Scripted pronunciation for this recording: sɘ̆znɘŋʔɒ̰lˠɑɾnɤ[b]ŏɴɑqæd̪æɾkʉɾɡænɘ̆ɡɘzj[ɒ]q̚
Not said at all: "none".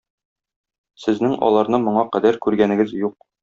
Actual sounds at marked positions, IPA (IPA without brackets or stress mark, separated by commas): m, u